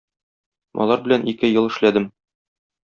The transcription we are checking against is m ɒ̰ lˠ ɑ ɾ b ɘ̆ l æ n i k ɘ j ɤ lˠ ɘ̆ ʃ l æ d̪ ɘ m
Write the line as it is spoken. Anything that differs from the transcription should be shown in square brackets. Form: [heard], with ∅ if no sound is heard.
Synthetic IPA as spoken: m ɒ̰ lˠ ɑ ɾ b ɘ̆ l æ n i k ɘ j ɤ lˠ ɘ̆ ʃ l æ d̪ ɘ m